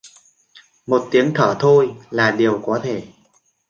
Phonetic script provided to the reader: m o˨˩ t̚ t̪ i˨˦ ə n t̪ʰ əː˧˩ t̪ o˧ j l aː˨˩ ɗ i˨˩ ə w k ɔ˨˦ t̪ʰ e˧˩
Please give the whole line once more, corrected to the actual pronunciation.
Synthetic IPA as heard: m o˨˩ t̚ t̪ i˨˦ ə ŋ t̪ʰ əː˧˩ t̪ʰ o˧ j l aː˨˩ ɗ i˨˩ ə w k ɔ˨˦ t̪ʰ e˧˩

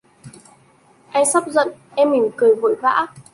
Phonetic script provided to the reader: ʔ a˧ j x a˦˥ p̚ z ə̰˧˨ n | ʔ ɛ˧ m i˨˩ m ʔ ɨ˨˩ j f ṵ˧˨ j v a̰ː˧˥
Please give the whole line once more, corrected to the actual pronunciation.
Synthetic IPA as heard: ʔ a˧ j s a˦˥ p̚ z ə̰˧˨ n | ʔ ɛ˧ m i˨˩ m k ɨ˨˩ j v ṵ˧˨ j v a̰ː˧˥

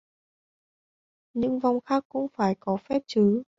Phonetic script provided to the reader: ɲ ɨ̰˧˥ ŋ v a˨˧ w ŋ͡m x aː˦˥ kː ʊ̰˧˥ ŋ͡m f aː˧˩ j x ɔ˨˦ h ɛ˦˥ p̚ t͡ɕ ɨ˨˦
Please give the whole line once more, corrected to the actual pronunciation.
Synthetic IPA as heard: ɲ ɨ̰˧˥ ŋ v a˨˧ w ŋ͡m x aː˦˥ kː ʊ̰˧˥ ŋ͡m f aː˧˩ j k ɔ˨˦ f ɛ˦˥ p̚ t͡ɕ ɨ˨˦

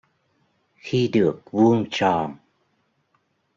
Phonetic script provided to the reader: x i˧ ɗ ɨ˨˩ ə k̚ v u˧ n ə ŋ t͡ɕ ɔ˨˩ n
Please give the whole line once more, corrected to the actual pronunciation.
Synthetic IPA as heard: x i˧ ɗ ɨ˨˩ ə k̚ v u˧ ə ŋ t͡ɕ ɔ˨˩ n

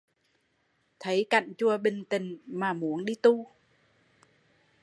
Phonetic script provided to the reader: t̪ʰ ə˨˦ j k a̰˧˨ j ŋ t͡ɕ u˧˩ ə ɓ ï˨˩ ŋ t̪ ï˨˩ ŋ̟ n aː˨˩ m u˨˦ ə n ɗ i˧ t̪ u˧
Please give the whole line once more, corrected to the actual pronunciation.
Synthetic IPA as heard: t̪ʰ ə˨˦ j k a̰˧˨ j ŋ t͡ɕ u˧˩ ə ɓ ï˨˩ ŋ t̪ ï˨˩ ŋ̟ m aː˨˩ m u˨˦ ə n ɗ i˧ t̪ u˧

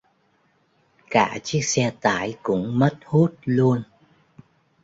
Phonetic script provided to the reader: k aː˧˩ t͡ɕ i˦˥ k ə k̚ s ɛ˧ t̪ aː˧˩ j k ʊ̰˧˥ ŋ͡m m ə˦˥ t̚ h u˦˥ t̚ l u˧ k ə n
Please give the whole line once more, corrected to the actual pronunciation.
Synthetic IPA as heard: k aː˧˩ t͡ɕ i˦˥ ə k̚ s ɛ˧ t̪ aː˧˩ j k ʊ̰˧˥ ŋ͡m m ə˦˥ t̚ h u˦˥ t̚ l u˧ ə n

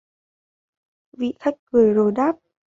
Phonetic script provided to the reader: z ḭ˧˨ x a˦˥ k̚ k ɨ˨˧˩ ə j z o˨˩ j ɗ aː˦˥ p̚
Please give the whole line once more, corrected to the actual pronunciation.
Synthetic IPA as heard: v ḭ˧˨ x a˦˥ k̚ k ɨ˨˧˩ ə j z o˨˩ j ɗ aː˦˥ p̚

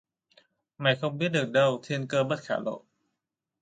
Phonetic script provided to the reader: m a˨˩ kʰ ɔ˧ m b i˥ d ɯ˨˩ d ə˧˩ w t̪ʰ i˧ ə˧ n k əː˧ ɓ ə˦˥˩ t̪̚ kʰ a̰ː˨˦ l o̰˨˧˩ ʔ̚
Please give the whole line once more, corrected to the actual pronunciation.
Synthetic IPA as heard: m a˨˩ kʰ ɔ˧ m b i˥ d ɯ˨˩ d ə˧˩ w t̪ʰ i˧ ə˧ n k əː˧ b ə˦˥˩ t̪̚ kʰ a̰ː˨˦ l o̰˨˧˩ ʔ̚

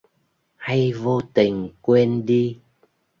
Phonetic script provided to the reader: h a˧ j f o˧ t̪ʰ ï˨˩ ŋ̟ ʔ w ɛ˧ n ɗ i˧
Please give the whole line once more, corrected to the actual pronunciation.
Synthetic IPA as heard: h a˧ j v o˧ t̪ ï˨˩ ŋ̟ k w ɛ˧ n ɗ i˧

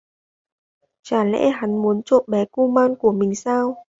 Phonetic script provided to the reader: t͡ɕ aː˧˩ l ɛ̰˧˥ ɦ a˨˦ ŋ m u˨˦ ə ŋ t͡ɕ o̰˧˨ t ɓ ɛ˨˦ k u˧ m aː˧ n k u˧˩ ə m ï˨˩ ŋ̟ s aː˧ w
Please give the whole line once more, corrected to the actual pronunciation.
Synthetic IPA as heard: t͡ɕ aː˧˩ l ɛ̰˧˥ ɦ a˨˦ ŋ m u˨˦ ə n t͡ɕ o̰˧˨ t ɓ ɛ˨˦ k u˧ m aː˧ n k u˧˩ ə m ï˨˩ ŋ̟ s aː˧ w

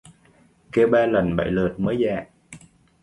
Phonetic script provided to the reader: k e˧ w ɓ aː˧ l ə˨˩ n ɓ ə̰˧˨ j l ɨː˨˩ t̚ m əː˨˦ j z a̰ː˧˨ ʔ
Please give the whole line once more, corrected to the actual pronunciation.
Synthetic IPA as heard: k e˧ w ɓ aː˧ l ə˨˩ n ɓ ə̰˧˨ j l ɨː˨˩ t̚ m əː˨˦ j z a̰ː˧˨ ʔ

